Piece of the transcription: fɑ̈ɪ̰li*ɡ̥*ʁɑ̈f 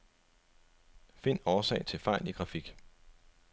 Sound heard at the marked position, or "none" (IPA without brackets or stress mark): ɡ̥